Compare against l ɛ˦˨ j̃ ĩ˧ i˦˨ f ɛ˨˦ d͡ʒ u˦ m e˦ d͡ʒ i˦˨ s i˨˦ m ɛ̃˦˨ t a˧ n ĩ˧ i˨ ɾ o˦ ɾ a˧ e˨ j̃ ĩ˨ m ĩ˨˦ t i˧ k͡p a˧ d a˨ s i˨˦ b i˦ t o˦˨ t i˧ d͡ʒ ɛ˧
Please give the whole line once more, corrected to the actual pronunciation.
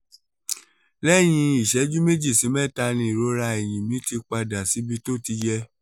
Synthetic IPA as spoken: l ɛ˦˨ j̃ ĩ˧ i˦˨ ʃ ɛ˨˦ d͡ʒ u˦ m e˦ d͡ʒ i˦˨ s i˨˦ m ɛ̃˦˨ t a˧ n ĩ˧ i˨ ɾ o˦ ɾ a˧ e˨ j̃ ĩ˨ m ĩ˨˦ t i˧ k͡p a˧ d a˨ s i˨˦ b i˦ t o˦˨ t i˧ d͡ʒ ɛ˧

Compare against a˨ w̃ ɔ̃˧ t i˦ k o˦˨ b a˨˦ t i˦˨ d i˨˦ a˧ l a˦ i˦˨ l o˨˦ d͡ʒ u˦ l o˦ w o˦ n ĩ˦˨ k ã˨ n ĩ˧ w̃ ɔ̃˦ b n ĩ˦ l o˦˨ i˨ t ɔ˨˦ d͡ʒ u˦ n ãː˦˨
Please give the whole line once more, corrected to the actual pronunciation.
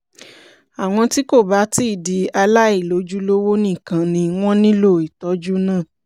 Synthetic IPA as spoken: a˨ w̃ ɔ̃˧ t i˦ k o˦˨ b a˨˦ t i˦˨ d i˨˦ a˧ l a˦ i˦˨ l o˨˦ d͡ʒ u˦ l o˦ w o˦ n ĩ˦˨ k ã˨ n ĩ˧ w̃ ɔ̃˦ n ĩ˦ l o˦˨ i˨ t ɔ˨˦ d͡ʒ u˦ n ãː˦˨

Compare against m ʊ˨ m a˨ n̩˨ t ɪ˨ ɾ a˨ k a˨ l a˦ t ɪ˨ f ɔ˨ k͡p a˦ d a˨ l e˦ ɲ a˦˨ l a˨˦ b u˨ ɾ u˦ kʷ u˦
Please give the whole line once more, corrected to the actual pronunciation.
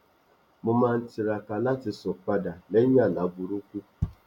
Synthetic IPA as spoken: m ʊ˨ m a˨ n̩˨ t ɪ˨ ɾ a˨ k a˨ l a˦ t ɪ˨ s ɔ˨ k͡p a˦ d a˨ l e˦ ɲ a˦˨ l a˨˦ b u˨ ɾ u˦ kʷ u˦

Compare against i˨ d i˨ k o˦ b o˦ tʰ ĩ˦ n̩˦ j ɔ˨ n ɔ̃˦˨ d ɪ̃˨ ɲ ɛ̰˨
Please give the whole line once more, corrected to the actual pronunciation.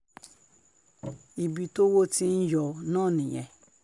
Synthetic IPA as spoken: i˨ b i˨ t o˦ w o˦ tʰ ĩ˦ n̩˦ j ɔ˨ n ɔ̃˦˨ n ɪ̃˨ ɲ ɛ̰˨

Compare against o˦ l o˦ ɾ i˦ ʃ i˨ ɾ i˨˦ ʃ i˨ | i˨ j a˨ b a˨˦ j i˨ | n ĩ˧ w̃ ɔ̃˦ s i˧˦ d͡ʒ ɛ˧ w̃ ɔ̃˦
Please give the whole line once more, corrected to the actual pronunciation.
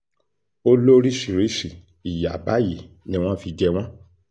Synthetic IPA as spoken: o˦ l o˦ ɾ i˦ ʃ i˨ ɾ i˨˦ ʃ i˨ | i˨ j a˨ b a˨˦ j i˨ | n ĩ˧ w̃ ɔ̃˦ f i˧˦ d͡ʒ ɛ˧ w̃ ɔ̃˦

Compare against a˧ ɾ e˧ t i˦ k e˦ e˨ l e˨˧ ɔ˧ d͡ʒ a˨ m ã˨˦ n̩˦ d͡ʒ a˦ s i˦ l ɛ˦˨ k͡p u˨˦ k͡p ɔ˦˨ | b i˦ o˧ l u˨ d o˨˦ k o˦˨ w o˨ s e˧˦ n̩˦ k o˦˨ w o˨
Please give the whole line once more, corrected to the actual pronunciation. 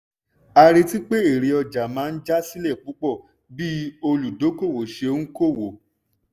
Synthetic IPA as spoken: a˧ ɾ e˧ t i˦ k͡p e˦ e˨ ɾ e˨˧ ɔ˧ d͡ʒ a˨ m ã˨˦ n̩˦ d͡ʒ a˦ s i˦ l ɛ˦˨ k͡p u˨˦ k͡p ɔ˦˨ | b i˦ o˧ l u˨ d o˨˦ k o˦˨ w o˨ ʃ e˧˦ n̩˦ k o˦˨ w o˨

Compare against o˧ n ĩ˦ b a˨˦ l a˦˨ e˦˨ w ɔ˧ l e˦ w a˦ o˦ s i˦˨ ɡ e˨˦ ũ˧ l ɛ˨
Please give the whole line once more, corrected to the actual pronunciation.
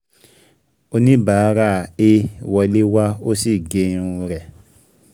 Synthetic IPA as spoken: o˧ n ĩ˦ b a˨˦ ɾ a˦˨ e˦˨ w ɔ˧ l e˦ w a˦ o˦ s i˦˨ ɡ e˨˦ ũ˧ ɾ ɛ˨

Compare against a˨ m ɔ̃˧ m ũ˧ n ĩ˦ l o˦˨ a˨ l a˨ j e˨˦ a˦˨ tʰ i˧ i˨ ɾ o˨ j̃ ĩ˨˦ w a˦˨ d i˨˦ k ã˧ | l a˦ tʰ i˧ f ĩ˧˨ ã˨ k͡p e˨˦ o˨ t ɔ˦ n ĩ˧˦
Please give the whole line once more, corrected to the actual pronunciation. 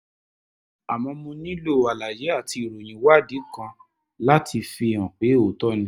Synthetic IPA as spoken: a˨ m ɔ̃˧ m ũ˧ n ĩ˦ l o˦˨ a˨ l a˨ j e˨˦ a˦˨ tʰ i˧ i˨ ɾ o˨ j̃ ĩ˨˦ w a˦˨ d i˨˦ k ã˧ | l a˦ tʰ i˧ f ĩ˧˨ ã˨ k͡p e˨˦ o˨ t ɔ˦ n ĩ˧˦

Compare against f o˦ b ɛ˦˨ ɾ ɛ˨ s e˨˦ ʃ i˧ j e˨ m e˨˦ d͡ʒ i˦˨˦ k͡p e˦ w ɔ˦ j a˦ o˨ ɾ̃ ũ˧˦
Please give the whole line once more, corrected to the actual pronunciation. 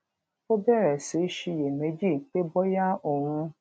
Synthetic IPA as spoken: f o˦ b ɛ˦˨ ɾ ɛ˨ s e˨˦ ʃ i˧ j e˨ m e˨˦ d͡ʒ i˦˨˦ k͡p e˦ b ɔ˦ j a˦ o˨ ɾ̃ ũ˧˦

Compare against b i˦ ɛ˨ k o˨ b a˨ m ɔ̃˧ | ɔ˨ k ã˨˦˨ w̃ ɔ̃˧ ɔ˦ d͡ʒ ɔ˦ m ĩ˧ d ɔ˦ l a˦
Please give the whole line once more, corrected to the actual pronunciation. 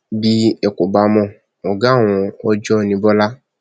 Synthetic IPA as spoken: b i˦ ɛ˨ k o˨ b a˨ m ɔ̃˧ | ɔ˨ ɡ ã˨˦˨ w̃ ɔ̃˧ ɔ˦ d͡ʒ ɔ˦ n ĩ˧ b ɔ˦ l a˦

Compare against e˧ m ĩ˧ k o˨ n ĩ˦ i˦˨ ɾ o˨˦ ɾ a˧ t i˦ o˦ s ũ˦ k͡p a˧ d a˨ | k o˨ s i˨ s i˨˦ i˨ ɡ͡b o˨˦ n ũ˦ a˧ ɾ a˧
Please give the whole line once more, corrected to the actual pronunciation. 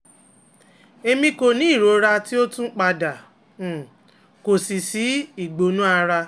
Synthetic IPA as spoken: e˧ m ĩ˧ k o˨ n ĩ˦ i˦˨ ɾ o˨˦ ɾ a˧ t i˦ o˦ t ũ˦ k͡p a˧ d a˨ | k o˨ s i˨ s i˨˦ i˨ ɡ͡b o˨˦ n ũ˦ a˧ ɾ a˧

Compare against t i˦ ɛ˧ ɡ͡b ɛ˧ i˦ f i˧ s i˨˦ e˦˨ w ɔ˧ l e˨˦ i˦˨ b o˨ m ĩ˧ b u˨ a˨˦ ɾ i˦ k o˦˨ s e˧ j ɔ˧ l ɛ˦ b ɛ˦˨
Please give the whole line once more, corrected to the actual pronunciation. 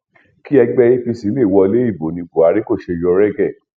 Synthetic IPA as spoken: k i˦ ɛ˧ ɡ͡b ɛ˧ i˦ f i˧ s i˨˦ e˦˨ w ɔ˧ l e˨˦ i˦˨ b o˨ n ĩ˧ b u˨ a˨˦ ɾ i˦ k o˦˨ ʃ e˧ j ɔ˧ ɾ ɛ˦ ɡ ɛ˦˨

